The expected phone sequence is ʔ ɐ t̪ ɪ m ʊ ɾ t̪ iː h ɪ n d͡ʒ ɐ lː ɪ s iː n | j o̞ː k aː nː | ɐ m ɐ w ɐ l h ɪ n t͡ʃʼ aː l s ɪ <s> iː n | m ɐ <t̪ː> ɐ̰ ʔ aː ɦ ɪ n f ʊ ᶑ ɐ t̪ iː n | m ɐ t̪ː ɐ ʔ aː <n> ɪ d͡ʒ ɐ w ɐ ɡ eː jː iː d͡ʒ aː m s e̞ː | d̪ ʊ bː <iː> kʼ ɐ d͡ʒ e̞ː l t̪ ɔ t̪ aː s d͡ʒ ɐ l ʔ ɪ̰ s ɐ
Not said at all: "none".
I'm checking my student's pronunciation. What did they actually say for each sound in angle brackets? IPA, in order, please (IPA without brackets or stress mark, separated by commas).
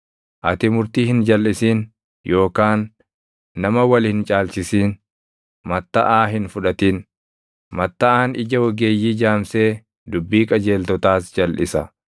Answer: s, t̪ː, n, iː